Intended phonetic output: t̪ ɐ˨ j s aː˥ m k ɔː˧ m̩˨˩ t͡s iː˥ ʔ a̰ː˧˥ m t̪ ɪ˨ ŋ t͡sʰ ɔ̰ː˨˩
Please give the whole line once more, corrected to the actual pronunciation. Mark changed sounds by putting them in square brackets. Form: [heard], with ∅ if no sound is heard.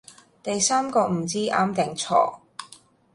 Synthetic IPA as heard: t̪ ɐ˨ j s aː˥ m k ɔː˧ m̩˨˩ t͡s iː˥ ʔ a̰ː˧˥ m t̪ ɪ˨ ŋ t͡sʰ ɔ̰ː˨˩